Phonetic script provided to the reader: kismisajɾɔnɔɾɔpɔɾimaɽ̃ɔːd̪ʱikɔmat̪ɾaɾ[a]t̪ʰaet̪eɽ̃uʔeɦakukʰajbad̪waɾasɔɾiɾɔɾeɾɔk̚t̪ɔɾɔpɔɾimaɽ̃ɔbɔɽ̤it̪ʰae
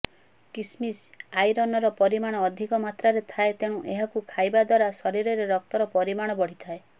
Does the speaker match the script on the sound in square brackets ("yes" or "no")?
no